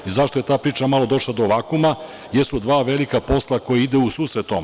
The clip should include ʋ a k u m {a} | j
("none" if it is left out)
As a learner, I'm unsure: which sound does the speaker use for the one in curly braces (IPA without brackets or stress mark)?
a